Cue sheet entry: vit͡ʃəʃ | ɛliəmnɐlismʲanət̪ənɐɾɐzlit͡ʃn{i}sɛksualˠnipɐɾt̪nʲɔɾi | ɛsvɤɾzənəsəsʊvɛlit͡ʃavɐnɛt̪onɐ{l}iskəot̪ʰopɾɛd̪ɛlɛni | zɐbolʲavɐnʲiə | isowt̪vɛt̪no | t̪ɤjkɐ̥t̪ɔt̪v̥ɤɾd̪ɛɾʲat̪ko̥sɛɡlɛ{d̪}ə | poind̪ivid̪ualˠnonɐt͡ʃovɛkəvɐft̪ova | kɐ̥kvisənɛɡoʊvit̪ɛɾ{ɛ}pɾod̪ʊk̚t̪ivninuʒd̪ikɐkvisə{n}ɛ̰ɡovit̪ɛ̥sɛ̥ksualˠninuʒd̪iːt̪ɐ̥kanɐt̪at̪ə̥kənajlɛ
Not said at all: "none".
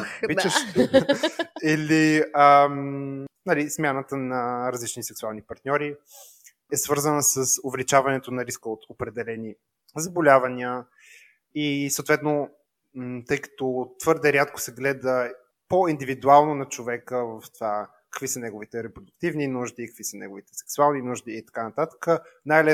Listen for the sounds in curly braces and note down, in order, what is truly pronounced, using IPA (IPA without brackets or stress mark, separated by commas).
i, ɾ, d̪, ɛ, n